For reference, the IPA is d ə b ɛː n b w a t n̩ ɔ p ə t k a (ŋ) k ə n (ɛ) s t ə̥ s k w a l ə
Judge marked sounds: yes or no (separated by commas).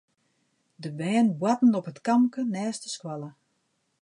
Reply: no, no